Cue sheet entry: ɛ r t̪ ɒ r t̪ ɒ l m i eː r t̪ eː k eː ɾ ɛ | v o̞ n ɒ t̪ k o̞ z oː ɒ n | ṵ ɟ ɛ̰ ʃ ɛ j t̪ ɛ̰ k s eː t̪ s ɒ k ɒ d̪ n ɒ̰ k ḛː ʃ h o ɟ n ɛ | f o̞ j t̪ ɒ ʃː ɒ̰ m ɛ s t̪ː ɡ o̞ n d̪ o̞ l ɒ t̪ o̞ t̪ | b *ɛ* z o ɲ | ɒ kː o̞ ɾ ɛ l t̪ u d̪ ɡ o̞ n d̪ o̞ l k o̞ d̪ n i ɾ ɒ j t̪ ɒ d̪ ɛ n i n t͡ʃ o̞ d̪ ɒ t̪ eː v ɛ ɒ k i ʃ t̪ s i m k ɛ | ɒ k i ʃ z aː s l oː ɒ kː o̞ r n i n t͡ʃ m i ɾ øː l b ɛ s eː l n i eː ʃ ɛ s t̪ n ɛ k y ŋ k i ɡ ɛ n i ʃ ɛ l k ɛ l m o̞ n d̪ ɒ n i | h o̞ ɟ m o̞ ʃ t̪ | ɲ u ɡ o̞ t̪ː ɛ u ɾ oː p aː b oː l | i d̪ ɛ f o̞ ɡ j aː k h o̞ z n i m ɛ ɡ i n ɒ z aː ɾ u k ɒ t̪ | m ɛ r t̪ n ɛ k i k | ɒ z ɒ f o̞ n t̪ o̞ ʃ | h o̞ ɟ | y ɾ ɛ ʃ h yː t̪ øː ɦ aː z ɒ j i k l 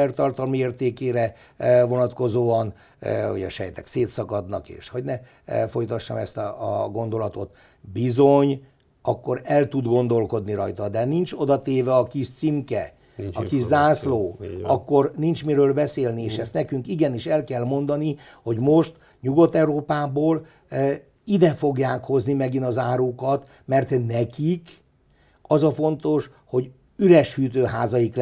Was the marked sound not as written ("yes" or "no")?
yes